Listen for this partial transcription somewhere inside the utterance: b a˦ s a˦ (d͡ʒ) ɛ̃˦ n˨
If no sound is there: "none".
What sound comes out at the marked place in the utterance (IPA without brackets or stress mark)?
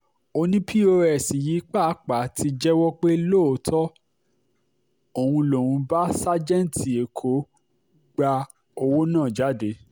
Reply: d͡ʒ